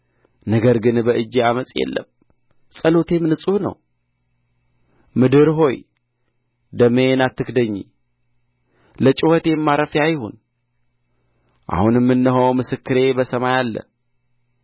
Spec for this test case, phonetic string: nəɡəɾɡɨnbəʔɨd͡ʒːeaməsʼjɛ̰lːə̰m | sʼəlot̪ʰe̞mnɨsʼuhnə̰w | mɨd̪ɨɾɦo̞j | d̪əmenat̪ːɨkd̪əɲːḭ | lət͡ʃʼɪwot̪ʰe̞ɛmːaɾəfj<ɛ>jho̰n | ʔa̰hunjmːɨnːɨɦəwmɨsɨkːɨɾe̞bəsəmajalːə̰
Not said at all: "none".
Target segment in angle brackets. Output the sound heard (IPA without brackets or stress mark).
a